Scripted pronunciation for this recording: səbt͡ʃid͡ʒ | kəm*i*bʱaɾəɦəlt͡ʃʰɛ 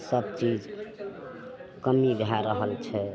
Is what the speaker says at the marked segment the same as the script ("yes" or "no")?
yes